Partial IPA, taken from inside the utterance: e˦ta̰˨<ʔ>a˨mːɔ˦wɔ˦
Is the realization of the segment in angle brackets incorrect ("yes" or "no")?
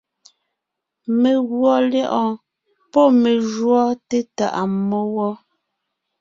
no